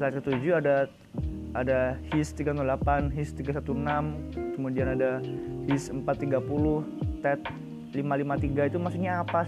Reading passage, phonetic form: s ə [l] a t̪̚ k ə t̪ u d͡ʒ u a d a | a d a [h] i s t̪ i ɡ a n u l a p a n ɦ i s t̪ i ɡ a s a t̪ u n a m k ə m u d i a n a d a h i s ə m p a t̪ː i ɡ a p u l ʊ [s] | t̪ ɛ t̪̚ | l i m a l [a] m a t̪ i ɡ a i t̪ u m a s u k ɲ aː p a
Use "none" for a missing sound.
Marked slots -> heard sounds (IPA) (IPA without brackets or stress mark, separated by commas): l, h, h, i